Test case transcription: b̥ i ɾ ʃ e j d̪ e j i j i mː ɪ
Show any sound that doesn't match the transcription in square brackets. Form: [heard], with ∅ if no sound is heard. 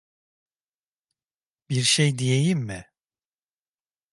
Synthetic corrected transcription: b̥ i ɾ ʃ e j d̪ [i] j [e] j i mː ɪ